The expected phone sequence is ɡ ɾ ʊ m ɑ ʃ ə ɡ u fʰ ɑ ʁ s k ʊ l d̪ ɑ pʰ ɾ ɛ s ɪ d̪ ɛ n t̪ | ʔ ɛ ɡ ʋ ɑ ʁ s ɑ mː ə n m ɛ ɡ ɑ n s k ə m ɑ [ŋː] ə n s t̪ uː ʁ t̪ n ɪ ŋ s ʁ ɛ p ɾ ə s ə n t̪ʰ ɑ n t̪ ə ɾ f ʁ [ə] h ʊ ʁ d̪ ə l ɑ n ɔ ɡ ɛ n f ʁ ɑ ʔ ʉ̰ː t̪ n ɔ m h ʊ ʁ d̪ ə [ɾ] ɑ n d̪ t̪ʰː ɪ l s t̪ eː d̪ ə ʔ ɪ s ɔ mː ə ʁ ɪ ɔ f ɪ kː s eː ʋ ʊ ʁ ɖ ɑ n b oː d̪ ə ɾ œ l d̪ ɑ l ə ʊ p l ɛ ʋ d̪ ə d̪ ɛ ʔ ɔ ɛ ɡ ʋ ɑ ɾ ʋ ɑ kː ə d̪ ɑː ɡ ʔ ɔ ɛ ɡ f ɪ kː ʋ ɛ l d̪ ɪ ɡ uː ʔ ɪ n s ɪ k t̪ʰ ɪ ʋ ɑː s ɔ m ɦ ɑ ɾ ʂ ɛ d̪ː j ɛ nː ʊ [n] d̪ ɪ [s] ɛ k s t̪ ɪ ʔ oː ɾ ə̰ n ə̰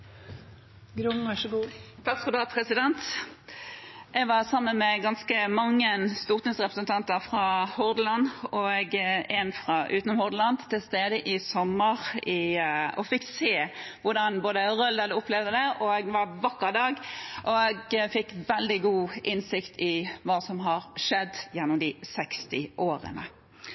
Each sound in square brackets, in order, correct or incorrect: correct, incorrect, incorrect, incorrect, correct

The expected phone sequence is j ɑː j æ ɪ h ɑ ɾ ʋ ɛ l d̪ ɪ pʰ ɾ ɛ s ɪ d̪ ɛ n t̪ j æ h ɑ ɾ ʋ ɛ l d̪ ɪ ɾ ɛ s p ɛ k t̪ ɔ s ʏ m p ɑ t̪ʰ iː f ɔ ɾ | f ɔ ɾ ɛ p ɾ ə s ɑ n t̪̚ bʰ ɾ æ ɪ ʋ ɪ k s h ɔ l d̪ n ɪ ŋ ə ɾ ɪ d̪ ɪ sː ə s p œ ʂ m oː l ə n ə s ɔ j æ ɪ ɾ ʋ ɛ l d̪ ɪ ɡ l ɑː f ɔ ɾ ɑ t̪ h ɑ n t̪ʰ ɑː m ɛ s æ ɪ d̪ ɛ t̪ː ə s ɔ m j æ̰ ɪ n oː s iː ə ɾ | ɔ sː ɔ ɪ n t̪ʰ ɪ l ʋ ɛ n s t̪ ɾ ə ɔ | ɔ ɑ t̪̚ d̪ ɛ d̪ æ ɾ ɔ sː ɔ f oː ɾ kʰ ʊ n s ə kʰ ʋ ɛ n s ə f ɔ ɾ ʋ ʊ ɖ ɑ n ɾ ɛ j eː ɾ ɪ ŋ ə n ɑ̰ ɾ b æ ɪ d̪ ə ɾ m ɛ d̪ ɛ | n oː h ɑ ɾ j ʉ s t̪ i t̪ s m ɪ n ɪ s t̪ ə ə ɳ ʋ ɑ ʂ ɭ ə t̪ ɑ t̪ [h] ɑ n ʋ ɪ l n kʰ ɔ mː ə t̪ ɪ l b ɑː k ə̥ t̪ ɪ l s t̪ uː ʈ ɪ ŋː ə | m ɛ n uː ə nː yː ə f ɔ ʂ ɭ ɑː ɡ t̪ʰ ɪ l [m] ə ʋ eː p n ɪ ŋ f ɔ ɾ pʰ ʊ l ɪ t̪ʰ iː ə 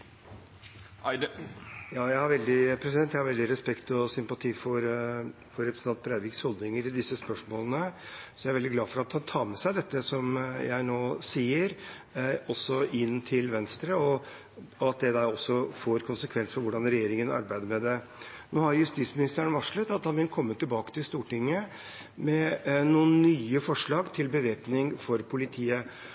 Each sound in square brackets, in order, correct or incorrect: correct, incorrect

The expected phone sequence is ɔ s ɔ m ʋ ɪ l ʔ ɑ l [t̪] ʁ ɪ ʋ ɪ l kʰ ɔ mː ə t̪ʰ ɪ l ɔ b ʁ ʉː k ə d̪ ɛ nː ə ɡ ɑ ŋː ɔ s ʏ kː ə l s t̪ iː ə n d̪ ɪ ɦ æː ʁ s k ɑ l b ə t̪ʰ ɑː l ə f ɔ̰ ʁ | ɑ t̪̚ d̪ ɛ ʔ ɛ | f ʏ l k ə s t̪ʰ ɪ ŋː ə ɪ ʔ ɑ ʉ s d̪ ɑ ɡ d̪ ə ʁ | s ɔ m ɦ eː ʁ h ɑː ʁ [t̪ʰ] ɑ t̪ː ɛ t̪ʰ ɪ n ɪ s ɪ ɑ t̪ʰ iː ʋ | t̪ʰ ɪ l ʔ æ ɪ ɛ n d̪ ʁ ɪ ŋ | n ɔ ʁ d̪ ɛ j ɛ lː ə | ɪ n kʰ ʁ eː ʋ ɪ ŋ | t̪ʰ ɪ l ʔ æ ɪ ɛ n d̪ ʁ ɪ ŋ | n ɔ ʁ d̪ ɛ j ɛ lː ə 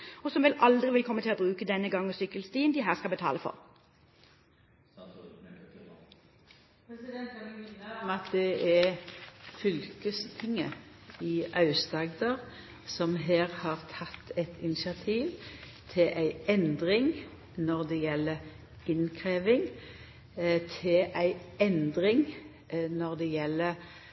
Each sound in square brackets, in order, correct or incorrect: incorrect, correct

